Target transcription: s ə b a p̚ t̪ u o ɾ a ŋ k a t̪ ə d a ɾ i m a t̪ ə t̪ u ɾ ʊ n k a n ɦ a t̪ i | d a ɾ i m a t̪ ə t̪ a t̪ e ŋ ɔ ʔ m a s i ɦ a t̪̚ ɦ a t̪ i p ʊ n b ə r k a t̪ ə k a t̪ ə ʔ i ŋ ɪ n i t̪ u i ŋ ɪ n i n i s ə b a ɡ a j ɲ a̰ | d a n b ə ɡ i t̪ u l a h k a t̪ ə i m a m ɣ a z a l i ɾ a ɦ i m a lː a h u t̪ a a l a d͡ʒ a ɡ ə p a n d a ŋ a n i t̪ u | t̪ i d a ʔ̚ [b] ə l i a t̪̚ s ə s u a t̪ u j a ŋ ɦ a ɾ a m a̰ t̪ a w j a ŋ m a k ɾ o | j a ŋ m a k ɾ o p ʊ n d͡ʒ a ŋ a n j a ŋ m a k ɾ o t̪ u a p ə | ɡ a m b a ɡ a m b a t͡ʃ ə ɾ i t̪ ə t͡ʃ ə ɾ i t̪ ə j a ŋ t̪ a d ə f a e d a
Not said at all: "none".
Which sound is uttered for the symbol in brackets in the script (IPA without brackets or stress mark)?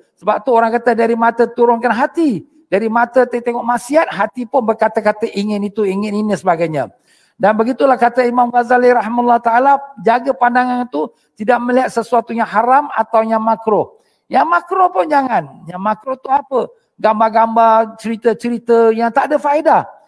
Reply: m